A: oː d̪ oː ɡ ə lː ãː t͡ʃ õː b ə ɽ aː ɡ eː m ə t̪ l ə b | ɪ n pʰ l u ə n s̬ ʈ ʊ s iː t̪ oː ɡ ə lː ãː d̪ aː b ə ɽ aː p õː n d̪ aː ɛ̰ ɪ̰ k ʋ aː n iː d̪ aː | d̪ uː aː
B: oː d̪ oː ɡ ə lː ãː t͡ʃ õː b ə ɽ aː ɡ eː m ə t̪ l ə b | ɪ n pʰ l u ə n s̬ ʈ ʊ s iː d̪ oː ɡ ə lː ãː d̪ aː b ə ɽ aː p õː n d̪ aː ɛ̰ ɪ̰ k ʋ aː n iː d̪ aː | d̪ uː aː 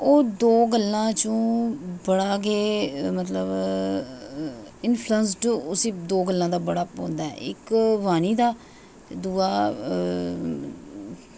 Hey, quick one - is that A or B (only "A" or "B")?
B